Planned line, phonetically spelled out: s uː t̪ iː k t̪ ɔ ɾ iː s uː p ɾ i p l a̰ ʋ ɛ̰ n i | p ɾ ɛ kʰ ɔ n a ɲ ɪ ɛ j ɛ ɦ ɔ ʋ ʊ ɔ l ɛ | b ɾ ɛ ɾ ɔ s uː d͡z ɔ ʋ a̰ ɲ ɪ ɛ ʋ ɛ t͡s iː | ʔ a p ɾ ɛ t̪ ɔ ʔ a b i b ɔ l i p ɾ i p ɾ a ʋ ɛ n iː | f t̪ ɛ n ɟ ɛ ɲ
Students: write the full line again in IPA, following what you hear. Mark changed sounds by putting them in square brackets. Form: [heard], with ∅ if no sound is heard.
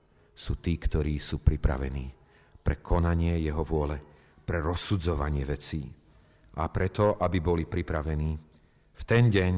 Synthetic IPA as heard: s uː t̪ iː k t̪ ɔ ɾ iː s uː p ɾ i p [ɾ] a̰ ʋ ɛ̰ n [iː] | p ɾ ɛ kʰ ɔ n a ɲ ɪ ɛ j ɛ ɦ ɔ ʋ ʊ ɔ l ɛ | [p] ɾ ɛ ɾ ɔ s [u] d͡z ɔ ʋ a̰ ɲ ɪ ɛ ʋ ɛ t͡s iː | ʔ a p ɾ ɛ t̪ ɔ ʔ a b i b ɔ l i p ɾ i p ɾ a ʋ ɛ n iː | f t̪ ɛ n ɟ ɛ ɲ